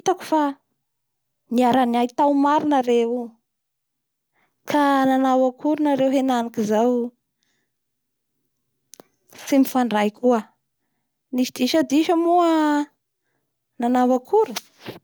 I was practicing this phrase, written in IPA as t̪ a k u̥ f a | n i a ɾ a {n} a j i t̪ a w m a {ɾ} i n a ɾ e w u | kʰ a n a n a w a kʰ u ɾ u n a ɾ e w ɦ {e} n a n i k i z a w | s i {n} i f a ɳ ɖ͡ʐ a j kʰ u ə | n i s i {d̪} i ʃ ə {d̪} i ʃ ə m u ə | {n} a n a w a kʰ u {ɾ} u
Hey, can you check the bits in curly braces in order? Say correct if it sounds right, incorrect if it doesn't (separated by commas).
correct, correct, correct, incorrect, correct, correct, correct, correct